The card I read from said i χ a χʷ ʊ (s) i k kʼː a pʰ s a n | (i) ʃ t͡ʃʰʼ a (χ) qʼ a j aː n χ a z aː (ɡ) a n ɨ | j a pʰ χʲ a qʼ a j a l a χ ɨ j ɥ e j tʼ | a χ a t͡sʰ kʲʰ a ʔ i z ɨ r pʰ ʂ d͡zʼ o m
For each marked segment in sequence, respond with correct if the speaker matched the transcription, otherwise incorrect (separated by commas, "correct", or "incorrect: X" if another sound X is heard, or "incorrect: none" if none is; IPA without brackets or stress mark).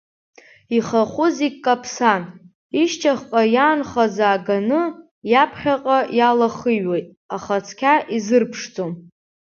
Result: incorrect: z, correct, correct, correct